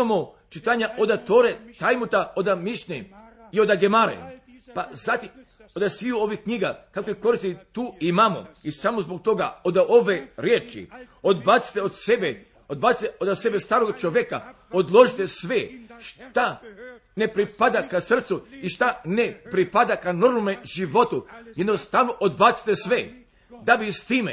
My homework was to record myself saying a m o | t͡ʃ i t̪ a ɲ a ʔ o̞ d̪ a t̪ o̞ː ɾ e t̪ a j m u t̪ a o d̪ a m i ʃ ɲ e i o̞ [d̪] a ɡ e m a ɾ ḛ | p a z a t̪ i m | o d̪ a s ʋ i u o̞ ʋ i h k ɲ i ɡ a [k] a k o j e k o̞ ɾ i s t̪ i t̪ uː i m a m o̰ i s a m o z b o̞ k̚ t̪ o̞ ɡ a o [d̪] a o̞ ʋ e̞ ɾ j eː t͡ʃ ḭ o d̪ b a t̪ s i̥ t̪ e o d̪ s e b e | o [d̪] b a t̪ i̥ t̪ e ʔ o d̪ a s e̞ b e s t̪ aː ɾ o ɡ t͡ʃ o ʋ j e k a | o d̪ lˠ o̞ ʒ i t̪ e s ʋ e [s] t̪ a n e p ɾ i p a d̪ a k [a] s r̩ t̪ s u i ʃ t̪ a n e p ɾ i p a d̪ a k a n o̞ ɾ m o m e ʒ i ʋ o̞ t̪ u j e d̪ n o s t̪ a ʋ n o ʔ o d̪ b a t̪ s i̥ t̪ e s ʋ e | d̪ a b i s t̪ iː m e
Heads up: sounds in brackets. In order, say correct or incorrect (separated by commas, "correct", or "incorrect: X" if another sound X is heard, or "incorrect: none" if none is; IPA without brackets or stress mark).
correct, correct, correct, correct, incorrect: ʃ, correct